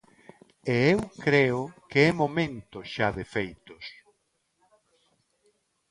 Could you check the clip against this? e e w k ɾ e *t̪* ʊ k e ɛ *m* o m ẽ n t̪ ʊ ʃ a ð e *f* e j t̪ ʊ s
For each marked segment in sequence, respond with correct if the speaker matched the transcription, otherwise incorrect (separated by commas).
incorrect, correct, correct